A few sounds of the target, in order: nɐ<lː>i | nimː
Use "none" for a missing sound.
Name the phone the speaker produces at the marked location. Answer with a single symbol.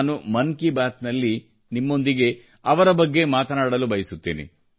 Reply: lː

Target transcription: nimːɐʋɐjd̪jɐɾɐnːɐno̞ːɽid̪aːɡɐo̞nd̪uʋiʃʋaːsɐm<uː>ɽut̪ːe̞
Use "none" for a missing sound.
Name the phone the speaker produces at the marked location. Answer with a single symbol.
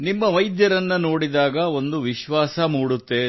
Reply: uː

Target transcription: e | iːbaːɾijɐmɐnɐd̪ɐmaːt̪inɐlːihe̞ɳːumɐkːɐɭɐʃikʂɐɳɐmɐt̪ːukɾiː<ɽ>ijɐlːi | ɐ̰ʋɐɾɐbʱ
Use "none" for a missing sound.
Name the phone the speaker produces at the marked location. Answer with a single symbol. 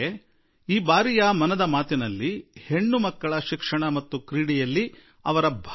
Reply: ɽ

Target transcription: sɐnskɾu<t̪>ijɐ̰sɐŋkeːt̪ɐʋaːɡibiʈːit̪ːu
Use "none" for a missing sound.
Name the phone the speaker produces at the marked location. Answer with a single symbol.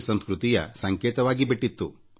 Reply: t̪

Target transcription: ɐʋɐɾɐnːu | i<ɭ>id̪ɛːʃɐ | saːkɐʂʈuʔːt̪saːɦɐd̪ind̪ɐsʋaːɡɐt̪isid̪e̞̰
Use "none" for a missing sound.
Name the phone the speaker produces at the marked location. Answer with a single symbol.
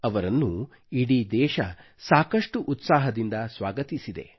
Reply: ɽ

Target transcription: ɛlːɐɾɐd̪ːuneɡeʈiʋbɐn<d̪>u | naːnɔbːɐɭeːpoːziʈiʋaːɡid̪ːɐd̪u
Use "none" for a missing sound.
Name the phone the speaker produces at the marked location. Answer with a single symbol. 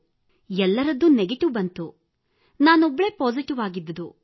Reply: t̪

